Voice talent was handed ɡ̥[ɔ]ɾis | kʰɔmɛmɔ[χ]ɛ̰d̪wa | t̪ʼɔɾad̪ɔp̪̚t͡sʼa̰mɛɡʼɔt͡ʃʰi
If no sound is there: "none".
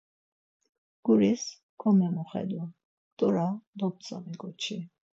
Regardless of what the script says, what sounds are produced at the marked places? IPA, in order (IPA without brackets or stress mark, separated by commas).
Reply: u, χ